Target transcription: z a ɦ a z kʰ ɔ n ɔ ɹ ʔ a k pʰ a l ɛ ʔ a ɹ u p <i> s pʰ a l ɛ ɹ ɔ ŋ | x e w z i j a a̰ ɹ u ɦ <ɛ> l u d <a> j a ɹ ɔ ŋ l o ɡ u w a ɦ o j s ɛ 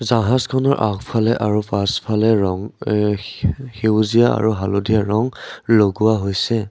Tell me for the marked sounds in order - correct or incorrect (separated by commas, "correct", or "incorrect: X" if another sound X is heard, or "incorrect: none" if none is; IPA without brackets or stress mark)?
incorrect: a, incorrect: a, incorrect: i